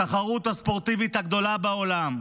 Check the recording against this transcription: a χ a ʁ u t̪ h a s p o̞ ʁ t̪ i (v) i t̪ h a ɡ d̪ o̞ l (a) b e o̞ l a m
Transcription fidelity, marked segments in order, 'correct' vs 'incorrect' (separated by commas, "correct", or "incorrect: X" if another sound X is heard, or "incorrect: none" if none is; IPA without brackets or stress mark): correct, correct